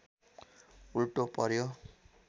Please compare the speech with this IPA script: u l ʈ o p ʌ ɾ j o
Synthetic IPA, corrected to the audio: u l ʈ o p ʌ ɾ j o